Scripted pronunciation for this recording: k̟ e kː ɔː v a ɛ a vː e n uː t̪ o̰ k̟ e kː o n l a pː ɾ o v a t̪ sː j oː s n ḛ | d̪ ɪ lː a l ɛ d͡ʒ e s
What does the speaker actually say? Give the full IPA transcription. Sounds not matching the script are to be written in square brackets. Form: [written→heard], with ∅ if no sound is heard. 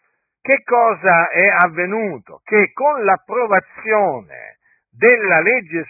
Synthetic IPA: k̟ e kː ɔː [v→z] a ɛ a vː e n uː t̪ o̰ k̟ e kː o n l a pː ɾ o v a t̪ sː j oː [s→∅] n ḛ | d̪ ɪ lː a l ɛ [d͡ʒ→d͡ʒː] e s